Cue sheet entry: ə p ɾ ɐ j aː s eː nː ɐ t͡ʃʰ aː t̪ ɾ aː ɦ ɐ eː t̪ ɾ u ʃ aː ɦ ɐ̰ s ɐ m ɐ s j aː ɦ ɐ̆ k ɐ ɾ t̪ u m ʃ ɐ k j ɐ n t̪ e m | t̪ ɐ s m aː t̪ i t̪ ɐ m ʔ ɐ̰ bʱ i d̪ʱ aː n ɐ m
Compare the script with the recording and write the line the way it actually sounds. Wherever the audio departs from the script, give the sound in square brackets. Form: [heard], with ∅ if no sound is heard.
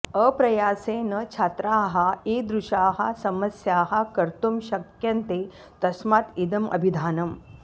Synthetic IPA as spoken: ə p ɾ ɐ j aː s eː [n] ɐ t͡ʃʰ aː t̪ ɾ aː ɦ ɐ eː [d̪] ɾ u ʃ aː ɦ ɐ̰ s ɐ m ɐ s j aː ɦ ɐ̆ k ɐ ɾ t̪ u m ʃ ɐ k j ɐ n t̪ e [∅] | t̪ ɐ s m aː t̪ i [d̪] ɐ m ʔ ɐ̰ bʱ i d̪ʱ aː n ɐ m